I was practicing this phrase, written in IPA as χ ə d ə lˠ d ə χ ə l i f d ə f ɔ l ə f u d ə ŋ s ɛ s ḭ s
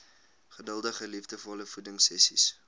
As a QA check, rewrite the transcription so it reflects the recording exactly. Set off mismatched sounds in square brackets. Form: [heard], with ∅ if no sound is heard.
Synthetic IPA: χ ə d ə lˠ d ə χ ə l i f d ə f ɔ l ə f u d ə ŋ s ɛ s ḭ s